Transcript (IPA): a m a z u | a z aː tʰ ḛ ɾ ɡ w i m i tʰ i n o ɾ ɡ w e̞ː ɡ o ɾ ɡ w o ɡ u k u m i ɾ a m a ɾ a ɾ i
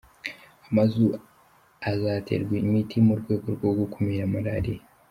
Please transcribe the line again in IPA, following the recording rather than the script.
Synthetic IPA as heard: a m a z u | a z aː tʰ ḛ ɾ ɡ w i m i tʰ i m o ɾ ɡ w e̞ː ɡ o ɾ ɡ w o ɡ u k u m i ɾ a m a ɾ a ɾ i